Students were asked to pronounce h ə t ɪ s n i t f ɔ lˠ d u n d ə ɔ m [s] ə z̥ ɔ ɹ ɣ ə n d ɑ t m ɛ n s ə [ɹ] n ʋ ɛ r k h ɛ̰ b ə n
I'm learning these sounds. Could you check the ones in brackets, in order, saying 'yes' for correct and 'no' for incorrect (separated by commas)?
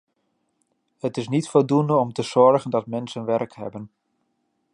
no, no